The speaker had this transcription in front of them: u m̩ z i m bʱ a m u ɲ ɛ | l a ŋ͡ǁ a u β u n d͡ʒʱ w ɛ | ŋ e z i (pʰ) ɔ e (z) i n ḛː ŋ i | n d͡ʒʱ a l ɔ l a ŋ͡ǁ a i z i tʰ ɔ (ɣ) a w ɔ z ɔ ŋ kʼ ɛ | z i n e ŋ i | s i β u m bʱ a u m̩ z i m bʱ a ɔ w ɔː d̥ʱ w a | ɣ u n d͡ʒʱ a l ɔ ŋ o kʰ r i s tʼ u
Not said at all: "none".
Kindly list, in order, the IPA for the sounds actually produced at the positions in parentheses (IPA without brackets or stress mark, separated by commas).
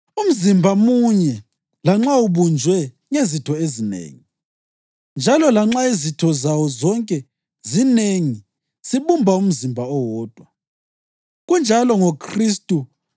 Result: tʰ, z, z